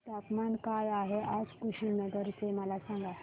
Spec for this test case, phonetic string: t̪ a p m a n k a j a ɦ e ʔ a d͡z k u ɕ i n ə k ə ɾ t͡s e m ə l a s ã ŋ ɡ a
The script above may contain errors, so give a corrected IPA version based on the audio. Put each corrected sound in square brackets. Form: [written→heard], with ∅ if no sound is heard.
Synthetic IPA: t̪ a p m a n k a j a ɦ e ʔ a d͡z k u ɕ i n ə [k→ɡ] ə ɾ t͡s e m ə l a s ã ŋ ɡ a